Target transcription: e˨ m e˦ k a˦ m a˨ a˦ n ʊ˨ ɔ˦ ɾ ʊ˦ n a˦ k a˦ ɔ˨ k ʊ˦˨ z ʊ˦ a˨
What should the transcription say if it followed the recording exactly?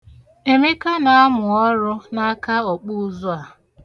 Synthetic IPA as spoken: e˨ m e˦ k a˦ n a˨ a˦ m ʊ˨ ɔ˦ ɾ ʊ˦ n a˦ k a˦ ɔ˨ k͡p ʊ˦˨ z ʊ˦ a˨